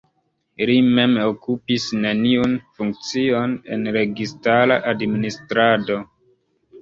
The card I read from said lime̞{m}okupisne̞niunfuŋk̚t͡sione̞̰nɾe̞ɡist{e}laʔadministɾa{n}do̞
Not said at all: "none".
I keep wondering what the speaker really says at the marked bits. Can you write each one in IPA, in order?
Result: m, a, none

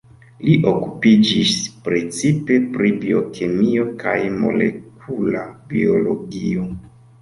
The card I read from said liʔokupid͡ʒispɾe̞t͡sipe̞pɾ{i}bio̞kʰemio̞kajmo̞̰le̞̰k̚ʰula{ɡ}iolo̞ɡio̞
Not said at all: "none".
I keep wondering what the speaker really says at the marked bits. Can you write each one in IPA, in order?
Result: i, b

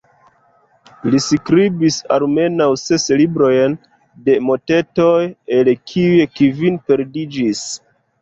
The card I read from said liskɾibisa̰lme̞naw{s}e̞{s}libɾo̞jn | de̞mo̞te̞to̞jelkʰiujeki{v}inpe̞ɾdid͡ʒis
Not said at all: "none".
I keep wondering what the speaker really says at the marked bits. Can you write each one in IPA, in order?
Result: s, s, v

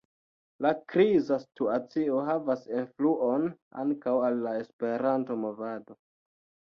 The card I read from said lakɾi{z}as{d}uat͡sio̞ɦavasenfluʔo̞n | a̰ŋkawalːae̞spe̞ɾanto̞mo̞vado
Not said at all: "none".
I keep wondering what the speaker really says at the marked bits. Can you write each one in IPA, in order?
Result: z, t

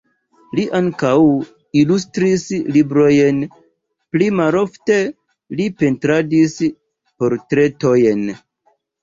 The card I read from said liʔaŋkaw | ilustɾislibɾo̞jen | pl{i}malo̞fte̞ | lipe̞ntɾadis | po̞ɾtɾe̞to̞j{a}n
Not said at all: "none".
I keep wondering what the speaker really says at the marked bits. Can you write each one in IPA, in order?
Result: i, e

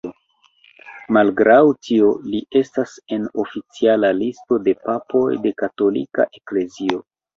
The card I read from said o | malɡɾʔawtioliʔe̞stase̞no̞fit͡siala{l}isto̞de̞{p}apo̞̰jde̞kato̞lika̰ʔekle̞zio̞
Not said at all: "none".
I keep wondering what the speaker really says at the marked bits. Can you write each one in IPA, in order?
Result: l, p

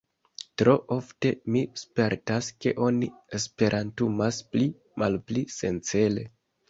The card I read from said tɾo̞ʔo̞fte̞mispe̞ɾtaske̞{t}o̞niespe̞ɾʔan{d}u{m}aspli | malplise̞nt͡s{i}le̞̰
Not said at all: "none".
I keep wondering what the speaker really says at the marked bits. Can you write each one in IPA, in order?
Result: ʔ, t, m, e

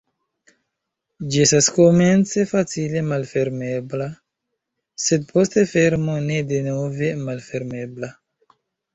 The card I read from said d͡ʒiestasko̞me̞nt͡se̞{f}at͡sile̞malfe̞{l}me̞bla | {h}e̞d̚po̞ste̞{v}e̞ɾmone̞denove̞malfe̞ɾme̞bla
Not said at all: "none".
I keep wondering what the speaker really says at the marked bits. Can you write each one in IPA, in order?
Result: f, ɾ, s, f

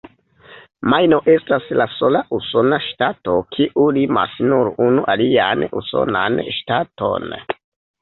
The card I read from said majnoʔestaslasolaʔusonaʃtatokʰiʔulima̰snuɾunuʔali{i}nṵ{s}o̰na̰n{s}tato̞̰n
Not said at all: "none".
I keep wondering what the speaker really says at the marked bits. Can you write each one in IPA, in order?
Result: a, s, ʃ

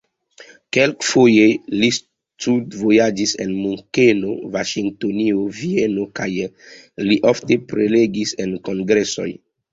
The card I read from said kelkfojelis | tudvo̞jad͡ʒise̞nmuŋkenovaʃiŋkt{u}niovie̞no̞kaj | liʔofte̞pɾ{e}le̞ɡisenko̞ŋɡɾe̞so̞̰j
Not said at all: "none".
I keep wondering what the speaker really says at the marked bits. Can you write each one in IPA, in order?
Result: o, e

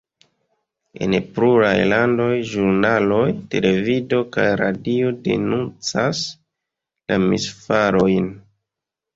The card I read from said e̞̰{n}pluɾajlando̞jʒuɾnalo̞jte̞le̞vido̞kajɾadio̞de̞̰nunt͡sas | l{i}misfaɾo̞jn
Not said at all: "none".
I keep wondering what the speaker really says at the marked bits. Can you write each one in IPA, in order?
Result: n, a

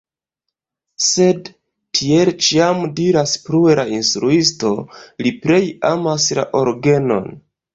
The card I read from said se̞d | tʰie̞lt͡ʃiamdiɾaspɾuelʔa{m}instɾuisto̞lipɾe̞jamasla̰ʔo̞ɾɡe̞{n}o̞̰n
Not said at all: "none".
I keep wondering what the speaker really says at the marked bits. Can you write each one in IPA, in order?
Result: none, n

